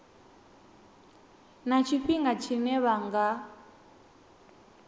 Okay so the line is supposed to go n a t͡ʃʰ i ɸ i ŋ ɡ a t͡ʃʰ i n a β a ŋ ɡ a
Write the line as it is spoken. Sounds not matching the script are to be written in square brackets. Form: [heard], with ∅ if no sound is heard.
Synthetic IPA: n a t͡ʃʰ i ɸ i ŋ ɡ a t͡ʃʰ i n [ɛ] β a ŋ ɡ a